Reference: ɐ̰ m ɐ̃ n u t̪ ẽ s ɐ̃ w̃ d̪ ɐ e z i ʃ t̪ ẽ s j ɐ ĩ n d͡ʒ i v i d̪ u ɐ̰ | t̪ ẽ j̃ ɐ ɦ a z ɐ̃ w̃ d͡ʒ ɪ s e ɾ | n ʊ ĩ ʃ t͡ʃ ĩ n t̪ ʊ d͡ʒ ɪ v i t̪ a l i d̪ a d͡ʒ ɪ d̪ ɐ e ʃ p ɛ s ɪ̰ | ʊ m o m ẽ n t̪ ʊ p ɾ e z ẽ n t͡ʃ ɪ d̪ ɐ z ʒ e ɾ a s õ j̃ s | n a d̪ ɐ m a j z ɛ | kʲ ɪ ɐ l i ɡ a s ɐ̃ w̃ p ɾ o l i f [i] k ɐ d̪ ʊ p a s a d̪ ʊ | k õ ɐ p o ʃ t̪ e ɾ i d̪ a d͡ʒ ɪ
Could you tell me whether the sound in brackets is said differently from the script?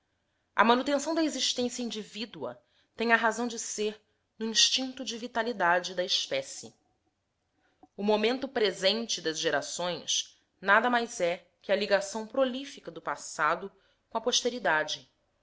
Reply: no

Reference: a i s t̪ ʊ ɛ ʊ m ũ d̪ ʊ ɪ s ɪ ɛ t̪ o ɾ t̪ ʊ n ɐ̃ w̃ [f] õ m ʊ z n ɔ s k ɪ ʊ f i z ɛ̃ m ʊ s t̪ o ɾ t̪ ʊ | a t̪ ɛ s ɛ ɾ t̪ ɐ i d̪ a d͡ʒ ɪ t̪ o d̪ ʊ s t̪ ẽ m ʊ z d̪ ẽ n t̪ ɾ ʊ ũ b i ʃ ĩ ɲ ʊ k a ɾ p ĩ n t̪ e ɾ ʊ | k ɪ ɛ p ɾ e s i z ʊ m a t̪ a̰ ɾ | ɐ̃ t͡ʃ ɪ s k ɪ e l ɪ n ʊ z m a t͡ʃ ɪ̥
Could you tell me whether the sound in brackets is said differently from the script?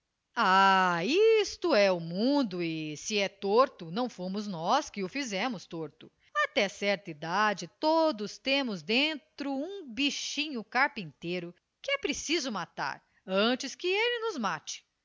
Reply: no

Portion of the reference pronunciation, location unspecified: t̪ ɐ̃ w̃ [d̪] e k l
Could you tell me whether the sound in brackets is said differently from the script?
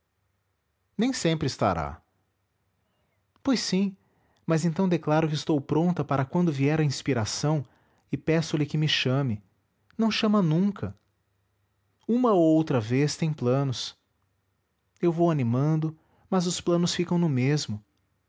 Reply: no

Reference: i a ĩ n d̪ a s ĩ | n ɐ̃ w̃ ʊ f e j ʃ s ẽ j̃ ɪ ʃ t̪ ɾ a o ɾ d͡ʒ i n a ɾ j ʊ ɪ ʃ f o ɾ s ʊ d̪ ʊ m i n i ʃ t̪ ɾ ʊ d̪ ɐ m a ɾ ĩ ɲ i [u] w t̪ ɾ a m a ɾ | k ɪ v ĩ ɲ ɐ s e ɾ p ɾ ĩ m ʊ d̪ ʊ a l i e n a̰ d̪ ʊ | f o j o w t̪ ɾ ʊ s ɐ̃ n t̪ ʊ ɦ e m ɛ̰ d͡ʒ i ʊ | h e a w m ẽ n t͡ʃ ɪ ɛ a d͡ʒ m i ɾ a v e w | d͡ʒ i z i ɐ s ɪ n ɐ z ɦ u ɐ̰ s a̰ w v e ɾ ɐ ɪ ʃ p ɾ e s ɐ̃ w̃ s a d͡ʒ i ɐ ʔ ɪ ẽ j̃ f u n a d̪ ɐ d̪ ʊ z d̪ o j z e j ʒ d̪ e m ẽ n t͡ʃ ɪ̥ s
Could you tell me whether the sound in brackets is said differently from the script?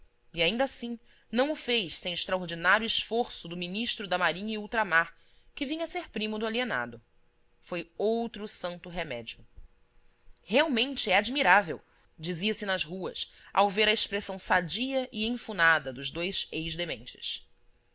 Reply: no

